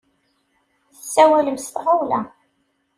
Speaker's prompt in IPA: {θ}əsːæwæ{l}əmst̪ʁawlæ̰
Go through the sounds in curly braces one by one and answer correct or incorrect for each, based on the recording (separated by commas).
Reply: correct, correct